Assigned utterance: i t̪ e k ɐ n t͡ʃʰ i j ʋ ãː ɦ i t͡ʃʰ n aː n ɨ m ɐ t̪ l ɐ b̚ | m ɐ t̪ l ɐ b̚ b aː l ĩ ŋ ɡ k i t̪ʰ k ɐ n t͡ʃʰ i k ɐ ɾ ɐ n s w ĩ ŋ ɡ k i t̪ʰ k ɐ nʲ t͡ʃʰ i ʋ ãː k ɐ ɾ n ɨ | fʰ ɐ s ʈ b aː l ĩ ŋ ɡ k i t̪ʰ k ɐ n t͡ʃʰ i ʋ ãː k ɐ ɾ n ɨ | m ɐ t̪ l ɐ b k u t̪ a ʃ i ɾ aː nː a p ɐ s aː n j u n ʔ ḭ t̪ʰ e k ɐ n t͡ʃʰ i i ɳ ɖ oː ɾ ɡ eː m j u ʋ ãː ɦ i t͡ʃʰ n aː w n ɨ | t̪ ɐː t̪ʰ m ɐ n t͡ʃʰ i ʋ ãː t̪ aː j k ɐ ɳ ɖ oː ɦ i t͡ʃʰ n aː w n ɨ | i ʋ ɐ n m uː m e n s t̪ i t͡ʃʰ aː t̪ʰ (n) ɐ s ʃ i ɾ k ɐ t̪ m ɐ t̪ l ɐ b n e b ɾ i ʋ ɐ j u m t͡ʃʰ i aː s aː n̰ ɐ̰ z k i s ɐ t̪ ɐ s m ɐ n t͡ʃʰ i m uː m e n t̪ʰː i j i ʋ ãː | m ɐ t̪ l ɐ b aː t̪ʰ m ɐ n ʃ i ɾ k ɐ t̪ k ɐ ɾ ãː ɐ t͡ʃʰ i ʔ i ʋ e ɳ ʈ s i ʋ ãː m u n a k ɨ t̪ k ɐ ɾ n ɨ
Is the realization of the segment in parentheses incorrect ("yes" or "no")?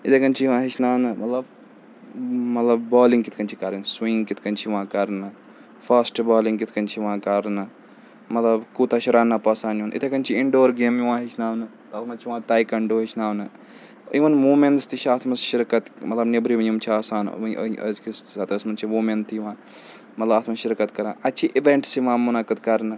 yes